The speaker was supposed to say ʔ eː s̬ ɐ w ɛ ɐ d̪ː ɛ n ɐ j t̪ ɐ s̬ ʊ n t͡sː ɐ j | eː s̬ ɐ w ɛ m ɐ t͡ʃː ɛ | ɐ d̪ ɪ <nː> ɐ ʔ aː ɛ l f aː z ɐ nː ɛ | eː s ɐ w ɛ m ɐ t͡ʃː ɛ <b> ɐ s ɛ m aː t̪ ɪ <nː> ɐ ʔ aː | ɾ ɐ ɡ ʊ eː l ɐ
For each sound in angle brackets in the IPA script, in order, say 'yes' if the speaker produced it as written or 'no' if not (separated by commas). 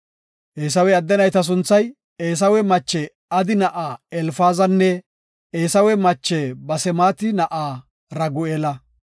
no, yes, no